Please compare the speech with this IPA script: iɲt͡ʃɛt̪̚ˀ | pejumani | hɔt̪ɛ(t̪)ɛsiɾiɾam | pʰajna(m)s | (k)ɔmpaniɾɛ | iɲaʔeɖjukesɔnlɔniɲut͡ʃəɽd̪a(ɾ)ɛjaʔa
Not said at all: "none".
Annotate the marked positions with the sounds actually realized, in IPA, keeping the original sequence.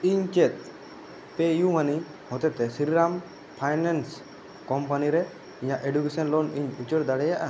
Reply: t̪, n, k, ɽ

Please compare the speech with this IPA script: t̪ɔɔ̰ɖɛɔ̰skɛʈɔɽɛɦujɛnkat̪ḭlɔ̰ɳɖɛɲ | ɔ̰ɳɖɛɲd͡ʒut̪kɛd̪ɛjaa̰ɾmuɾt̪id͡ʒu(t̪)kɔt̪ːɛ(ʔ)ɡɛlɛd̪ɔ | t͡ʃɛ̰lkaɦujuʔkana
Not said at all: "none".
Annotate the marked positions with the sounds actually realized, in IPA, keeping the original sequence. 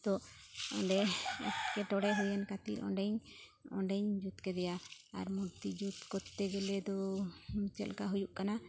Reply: t̪, none

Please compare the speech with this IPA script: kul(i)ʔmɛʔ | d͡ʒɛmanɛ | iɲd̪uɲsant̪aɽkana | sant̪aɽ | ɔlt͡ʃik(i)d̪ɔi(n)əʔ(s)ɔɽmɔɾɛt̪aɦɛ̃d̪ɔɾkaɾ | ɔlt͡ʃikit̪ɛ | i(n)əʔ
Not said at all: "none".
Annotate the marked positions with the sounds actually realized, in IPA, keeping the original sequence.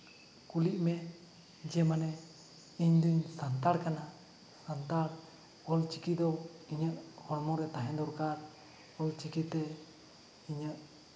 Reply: i, i, ɲ, h, ɲ

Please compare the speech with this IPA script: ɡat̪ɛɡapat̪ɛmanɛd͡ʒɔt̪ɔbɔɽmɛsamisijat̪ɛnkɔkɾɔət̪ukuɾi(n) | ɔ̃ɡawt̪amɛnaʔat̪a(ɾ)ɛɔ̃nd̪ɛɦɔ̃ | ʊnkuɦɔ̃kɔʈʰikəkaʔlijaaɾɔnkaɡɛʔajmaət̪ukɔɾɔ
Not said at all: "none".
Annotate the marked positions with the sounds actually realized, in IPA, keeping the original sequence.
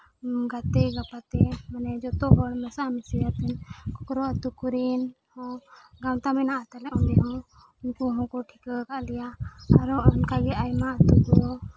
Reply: n, l

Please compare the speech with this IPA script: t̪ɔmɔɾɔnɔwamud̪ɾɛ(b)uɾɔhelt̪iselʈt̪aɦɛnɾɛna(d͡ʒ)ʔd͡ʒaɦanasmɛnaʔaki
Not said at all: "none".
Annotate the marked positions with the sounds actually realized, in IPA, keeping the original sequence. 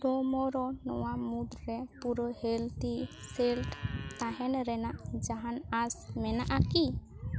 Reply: p, none

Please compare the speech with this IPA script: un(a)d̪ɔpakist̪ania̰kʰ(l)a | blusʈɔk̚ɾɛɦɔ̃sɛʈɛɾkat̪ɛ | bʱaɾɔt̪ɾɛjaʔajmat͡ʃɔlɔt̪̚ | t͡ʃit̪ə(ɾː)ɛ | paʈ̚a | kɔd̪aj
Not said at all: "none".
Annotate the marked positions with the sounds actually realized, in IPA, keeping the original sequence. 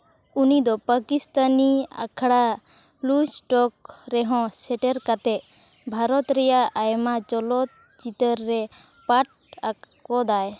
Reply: i, ɽ, ɾː

